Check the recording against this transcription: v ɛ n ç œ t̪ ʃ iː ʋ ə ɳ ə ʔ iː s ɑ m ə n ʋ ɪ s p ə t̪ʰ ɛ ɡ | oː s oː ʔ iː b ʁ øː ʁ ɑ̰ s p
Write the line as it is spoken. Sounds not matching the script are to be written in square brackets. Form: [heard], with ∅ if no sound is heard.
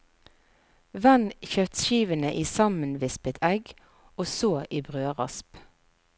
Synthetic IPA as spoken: [ʋ] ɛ n ç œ t̪ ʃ iː ʋ ə [n] ə ʔ iː s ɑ m ə n ʋ ɪ s p ə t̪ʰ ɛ ɡ | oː s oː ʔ iː b ʁ øː ʁ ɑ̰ s p